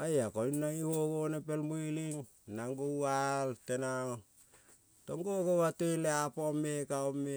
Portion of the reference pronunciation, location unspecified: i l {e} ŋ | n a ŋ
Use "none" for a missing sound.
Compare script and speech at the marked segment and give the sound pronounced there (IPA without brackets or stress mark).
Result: i